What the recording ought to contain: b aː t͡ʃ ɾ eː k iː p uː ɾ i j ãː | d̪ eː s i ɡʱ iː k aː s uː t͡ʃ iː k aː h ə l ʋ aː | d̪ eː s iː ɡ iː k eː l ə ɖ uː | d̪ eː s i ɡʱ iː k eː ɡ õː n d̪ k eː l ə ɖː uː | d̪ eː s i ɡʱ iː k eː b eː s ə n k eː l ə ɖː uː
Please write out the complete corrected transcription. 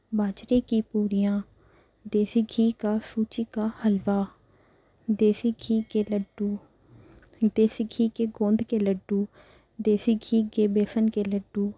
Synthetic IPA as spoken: b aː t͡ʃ ɾ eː k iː p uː ɾ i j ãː | d̪ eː s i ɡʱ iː k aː s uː t͡ʃ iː k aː h ə l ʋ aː | d̪ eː s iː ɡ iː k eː l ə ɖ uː | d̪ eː s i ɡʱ iː k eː ɡ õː n d̪ k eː l ə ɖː uː | d̪ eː s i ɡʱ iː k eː b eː s ə n k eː l ə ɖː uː